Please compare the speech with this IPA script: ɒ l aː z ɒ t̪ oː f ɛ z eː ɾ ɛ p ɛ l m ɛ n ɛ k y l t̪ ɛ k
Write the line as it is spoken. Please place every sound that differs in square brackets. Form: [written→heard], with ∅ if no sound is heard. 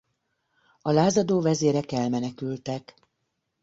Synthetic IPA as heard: ɒ l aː z ɒ [t̪→d̪] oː [f→v] ɛ z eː ɾ ɛ [p→k] ɛ l m ɛ n ɛ k y l t̪ ɛ k